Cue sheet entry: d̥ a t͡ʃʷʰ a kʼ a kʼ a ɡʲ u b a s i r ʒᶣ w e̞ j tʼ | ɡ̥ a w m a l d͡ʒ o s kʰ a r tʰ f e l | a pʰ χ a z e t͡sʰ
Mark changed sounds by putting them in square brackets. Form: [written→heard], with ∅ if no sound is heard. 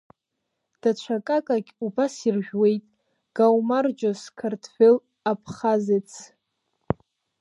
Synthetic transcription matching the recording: d̥ a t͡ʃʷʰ a kʼ a kʼ a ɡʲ u b a s i r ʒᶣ w e̞ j tʼ | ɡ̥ a w m a [l→r] d͡ʒ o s kʰ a r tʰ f e l | a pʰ χ a z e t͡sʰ